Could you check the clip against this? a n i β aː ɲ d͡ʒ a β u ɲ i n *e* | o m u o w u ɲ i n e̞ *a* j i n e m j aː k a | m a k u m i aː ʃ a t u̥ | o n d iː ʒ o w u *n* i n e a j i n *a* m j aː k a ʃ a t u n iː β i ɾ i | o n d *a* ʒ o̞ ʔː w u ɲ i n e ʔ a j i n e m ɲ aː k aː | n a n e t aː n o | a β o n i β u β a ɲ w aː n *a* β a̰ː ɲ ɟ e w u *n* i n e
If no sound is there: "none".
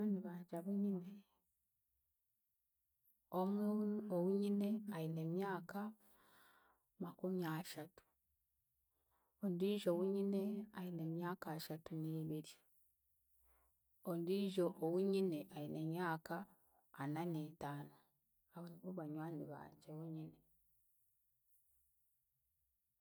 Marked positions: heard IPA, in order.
e, a, ɲ, e, i, i, ɲ

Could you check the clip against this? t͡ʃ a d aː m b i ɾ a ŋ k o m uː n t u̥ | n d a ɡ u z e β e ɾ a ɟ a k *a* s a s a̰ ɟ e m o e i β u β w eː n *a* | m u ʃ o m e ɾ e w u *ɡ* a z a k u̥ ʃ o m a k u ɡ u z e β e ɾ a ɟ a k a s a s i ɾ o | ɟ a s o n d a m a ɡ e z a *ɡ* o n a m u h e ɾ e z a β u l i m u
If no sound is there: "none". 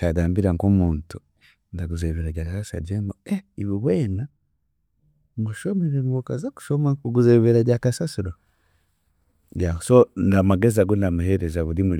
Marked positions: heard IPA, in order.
a, a, k, ɡ

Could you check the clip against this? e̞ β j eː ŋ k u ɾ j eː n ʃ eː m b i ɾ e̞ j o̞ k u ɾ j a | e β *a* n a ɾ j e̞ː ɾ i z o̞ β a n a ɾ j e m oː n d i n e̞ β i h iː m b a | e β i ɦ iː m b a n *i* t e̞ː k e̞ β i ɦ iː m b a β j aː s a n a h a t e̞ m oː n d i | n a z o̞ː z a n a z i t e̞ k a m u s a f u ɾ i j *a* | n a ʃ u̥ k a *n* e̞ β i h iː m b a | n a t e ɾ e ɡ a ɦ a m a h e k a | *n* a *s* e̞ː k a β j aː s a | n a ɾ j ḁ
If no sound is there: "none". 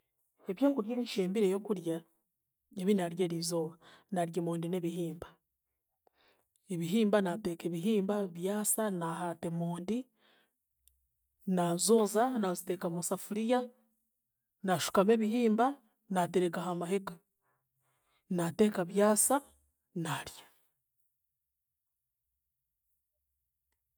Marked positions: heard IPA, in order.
i, a, a, m, n, t

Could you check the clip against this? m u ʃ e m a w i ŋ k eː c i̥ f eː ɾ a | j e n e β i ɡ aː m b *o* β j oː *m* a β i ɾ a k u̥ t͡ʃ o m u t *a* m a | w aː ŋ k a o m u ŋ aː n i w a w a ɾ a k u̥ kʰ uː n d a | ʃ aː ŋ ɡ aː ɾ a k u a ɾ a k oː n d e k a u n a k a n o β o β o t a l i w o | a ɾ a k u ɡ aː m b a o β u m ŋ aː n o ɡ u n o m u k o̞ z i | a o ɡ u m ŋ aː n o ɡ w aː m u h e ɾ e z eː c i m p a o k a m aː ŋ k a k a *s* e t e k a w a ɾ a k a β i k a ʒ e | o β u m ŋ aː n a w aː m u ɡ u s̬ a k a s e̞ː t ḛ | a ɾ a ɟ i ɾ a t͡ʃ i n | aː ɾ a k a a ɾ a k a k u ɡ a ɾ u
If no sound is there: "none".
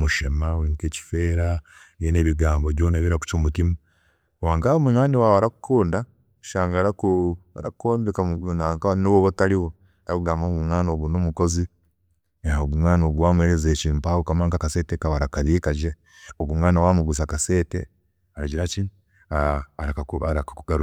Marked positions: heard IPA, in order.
o, n, i, s

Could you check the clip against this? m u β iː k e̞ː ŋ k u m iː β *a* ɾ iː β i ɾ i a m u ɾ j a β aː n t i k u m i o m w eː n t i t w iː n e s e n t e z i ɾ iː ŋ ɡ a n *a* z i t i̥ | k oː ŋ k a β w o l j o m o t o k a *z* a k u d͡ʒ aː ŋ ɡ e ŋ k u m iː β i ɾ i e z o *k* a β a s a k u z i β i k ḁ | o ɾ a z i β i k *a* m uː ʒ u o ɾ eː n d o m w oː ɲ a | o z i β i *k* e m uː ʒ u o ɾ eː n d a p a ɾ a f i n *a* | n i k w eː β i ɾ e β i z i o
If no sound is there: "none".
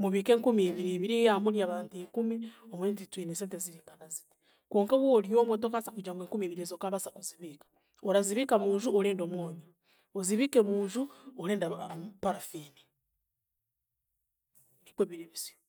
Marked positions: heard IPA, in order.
i, a, s, k, a, k, i

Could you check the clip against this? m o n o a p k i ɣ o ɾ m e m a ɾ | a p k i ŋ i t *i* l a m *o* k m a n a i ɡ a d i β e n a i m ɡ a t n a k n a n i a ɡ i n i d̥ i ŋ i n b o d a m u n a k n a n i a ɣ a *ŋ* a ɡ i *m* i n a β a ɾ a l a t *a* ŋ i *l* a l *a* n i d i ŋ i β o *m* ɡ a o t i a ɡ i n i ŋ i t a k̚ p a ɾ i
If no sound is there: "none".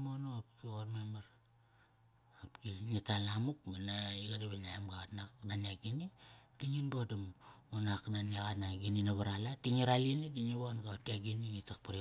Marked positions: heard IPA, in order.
a, u, n, n, i, ɾ, i, n

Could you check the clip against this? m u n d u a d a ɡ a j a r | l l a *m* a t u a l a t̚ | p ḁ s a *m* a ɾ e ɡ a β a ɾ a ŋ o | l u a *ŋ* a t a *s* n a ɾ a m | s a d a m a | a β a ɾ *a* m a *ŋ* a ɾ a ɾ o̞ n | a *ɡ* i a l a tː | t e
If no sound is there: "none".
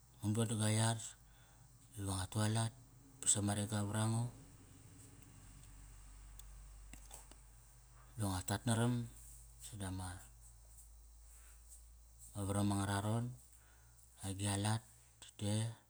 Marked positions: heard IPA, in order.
ŋ, m, ŋ, t, a, ŋ, ɡ

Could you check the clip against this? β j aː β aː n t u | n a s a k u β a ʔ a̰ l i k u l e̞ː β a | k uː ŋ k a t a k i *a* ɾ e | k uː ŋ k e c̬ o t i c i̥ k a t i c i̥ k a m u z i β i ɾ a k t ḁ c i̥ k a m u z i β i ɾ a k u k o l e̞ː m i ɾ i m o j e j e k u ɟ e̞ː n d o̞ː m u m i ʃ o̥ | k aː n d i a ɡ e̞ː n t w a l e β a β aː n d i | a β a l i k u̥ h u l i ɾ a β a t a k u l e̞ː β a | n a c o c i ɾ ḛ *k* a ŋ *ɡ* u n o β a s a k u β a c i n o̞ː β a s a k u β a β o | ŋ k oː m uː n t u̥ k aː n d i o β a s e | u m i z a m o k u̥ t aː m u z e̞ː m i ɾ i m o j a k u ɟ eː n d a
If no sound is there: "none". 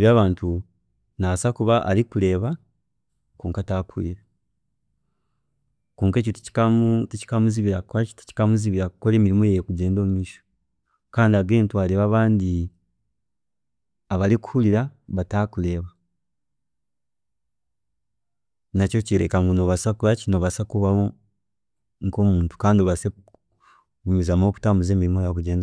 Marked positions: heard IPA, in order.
i, k, ɡ

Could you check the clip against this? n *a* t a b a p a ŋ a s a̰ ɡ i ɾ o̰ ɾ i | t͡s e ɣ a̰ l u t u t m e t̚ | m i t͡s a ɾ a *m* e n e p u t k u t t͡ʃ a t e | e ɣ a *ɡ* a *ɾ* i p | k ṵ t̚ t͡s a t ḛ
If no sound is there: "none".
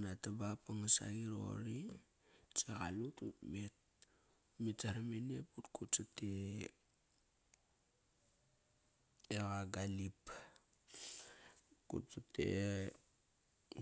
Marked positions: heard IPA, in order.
a, m, ɡ, l

